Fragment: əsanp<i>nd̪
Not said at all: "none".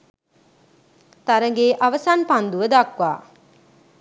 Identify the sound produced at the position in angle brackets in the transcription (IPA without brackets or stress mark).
a